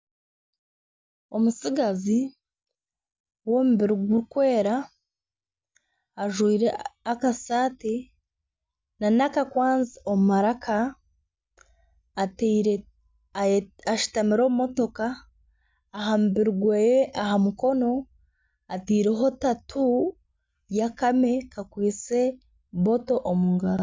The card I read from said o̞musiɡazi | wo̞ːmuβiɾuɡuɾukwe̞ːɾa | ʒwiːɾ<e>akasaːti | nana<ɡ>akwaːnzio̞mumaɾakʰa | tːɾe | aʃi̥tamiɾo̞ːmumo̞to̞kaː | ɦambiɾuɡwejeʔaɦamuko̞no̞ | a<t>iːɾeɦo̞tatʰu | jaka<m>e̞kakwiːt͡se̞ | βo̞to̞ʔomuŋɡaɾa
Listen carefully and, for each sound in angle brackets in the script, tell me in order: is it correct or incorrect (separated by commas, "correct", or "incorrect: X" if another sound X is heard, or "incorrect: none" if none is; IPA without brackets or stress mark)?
correct, incorrect: k, correct, correct